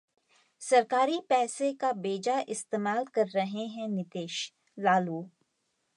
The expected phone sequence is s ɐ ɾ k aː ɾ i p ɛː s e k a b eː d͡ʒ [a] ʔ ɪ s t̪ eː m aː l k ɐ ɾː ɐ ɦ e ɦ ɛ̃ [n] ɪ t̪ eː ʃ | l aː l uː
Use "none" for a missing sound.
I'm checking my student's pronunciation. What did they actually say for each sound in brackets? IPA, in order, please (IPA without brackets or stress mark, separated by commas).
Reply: a, n